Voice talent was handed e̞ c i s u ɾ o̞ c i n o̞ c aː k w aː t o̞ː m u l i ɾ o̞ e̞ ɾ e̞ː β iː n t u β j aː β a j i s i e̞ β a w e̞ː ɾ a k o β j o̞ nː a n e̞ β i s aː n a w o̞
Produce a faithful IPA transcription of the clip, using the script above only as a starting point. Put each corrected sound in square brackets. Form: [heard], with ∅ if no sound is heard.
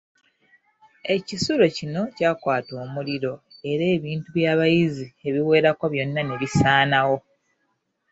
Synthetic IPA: e̞ c i s u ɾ o̞ c i n o̞ c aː k w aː t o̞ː m u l i ɾ o̞ e̞ ɾ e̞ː β iː n t u β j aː β a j i [z] i e̞ β [i] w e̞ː ɾ a k o β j o̞ nː a n e̞ β i s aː n a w o̞